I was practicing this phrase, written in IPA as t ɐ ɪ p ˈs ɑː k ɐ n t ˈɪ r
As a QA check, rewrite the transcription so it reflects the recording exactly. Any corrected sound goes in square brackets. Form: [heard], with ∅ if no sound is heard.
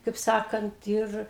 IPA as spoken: [k] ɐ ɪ p ˈs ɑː k ɐ n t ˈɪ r